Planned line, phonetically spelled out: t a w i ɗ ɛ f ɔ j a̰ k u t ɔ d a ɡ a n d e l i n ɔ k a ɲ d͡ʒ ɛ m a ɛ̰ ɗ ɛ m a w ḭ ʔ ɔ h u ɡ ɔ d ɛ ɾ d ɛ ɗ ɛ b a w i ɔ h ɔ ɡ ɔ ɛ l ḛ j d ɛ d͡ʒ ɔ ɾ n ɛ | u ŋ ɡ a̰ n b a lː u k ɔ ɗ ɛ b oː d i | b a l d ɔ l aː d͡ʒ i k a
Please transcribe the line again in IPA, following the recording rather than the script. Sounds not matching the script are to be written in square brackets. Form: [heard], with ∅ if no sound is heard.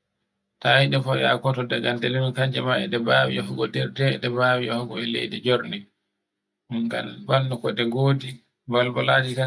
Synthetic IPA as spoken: t a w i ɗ ɛ f ɔ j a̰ k [ɔ] t ɔ d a ɡ a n d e l i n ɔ k a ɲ d͡ʒ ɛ m a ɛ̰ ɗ ɛ [b] a w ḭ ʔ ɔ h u ɡ ɔ d ɛ ɾ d ɛ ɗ ɛ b a w i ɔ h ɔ ɡ ɔ ɛ l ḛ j d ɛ d͡ʒ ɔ ɾ n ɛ | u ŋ ɡ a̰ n b a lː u k ɔ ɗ ɛ [ɡ] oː d i | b a l [b] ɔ l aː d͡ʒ i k a